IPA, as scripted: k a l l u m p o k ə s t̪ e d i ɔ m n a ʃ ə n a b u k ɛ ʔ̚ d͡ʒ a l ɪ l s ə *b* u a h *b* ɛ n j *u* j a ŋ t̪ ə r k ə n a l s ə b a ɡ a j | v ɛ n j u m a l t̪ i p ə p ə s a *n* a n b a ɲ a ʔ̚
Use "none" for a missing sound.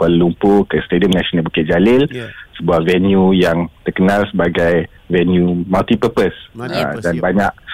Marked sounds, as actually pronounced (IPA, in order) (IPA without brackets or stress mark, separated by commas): b, v, u, d